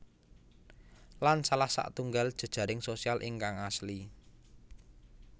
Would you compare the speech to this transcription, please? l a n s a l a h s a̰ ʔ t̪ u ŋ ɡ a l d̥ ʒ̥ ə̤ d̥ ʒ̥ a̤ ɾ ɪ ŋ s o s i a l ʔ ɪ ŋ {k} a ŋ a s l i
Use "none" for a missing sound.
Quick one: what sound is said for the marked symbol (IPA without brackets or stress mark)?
k